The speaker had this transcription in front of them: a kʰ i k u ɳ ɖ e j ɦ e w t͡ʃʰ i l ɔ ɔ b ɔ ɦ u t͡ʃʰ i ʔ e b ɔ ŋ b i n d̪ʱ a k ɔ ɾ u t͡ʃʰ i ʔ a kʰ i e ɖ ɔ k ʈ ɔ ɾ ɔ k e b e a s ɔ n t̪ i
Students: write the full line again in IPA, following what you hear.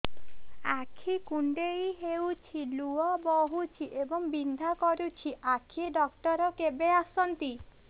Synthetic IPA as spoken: a kʰ i k u ɳ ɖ e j ɦ e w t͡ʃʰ i l u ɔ b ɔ ɦ u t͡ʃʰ i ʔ e b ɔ ŋ b i n d̪ʱ a k ɔ ɾ u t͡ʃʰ i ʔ a kʰ i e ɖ ɔ k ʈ ɔ ɾ ɔ k e b e a s ɔ n t̪ i